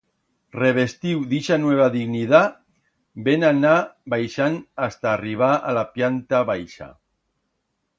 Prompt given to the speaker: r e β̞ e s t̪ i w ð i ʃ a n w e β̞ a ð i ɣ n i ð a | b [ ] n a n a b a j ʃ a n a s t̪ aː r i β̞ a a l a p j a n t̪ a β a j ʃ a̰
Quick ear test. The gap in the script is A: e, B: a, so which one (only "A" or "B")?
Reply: A